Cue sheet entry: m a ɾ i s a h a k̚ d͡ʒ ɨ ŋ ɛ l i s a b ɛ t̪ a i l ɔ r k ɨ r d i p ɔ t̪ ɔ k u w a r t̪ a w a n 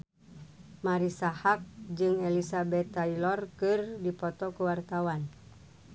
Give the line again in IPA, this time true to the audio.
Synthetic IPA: m a ɾ i s a h a k̚ d͡ʒ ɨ ŋ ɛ l i s a b ɛ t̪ a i l ɔ r k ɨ r d i p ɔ t̪ ɔ k u w a r t̪ a w a n

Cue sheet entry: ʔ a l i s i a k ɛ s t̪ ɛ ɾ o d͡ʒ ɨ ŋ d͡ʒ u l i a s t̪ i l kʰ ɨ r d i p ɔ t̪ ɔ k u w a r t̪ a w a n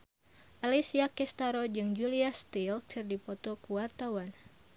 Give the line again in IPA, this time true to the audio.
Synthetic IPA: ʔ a l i s i a k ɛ s t̪ a ɾ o d͡ʒ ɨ ŋ d͡ʒ u l i a s t̪ i l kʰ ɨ r d i p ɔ t̪ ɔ k u w a r t̪ a w a n

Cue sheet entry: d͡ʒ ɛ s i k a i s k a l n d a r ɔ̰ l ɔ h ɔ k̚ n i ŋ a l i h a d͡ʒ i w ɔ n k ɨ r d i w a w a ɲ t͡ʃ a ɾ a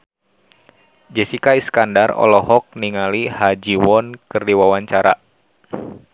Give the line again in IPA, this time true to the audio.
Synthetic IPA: d͡ʒ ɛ s i k a i s k a n d a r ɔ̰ l ɔ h ɔ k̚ n i ŋ a l i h a d͡ʒ i w ɔ n k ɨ r d i w a w a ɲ t͡ʃ a ɾ a

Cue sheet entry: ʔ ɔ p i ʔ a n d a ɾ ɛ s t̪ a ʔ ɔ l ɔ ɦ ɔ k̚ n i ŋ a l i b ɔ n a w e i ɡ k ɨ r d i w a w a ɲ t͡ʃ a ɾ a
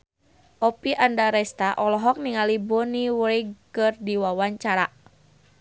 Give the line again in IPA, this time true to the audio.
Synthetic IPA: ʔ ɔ p i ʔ a n d a ɾ ɛ s t̪ a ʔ ɔ l ɔ ɦ ɔ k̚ n i ŋ a l i b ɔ n i w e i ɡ k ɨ r d i w a w a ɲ t͡ʃ a ɾ a

